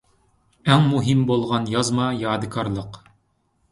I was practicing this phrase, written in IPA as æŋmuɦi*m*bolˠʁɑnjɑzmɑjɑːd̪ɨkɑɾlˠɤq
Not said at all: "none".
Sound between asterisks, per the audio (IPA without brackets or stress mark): m